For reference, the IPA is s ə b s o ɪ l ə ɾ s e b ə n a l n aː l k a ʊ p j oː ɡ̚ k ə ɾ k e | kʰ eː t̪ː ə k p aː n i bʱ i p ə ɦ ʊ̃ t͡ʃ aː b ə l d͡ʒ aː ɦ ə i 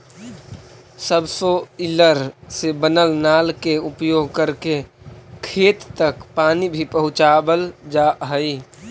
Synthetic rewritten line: s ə b s o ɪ l ə ɾ s e b ə n ə l n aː l k e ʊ p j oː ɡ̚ k ə ɾ k e | kʰ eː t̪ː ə k p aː n i bʱ i p ə ɦ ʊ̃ t͡ʃ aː b ə l d͡ʒ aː ɦ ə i